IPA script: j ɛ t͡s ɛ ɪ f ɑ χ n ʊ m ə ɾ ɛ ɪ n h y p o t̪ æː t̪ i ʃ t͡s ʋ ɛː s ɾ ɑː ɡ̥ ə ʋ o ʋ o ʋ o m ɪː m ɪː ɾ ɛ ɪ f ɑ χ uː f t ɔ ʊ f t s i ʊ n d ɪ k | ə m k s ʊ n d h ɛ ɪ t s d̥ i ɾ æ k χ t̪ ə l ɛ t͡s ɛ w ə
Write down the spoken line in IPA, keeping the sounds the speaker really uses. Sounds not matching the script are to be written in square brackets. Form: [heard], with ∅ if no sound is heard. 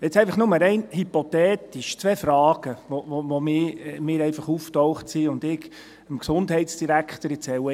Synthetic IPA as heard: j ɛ t͡s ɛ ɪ f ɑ χ n ʊ m ə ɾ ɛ ɪ n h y p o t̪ [ɛː] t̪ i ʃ t͡s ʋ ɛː [f] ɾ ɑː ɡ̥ ə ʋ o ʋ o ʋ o m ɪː m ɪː ɾ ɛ ɪ f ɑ χ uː f t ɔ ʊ [χ] t s i ʊ n d ɪ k | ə m k s ʊ n d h ɛ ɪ t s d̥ i ɾ æ k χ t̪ ə [ɾ] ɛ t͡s ɛ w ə